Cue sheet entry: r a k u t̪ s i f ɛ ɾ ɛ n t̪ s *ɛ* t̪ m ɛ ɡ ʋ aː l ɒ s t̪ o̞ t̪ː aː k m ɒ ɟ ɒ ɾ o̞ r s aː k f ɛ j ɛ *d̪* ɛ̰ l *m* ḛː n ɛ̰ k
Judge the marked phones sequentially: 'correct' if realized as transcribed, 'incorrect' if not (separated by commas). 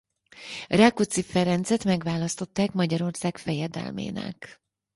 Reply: correct, correct, correct